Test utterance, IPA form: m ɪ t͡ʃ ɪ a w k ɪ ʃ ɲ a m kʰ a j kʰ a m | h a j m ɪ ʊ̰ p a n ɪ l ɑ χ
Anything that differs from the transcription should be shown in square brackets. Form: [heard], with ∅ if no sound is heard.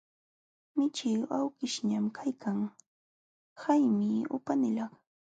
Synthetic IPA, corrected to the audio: m ɪ t͡ʃ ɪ a w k ɪ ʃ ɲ a m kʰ a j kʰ a [ŋ] | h a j m ɪ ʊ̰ p a n ɪ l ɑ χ